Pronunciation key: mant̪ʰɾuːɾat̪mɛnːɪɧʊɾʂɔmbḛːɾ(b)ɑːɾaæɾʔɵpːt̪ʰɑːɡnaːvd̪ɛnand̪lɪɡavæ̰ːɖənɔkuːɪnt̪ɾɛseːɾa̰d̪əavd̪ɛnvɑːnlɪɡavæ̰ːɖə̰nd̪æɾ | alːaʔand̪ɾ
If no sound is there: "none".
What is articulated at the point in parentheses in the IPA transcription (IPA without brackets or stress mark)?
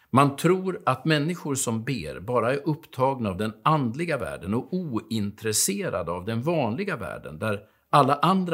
b